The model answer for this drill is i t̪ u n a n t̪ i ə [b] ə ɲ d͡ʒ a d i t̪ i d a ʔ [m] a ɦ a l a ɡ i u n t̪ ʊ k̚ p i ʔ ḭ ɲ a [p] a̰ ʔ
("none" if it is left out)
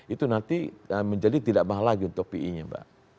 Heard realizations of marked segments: m, m, b

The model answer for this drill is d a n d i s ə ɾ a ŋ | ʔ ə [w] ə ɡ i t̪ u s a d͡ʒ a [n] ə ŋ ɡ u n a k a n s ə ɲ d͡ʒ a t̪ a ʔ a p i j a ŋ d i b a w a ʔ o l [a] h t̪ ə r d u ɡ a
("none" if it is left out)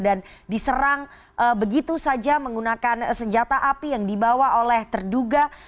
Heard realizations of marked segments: b, m, ɛ

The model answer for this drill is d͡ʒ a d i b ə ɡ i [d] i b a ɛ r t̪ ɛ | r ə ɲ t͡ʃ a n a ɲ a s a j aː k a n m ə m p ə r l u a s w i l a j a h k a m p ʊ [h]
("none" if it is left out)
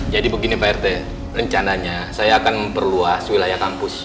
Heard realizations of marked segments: n, s

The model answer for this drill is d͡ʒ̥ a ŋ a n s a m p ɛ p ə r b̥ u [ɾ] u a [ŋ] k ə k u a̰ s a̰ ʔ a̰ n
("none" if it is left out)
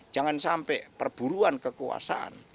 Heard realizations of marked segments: ɾ, n

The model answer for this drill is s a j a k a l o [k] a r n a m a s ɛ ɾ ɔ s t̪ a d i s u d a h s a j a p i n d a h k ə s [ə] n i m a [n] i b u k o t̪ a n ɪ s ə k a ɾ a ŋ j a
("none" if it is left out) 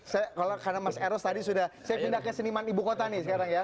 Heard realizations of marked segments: k, ə, n

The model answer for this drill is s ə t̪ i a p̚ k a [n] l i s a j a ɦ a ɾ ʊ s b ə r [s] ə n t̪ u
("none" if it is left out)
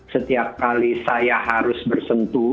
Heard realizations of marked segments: none, s

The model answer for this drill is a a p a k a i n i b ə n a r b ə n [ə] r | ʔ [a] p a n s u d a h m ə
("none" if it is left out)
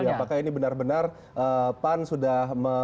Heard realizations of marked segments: a, ə

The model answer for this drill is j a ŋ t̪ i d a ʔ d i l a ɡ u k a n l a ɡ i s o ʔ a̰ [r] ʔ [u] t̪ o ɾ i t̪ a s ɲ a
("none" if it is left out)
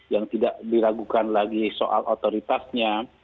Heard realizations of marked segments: l, o

